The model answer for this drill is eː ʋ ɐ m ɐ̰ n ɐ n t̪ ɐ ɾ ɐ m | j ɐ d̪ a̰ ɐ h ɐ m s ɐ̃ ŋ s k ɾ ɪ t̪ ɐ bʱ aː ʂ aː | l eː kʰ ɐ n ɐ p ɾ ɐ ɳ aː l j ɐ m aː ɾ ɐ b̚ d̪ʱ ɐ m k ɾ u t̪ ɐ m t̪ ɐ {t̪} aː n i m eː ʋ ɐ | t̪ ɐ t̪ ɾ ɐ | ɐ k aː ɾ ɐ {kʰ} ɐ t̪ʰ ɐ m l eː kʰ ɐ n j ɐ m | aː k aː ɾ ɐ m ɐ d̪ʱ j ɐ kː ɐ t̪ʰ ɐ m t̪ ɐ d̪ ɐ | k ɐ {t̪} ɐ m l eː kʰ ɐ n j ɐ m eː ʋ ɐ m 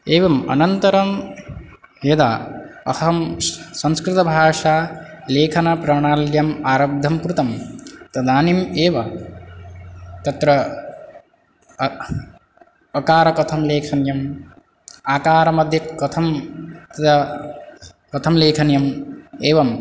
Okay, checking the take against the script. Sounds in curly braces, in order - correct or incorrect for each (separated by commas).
incorrect, incorrect, incorrect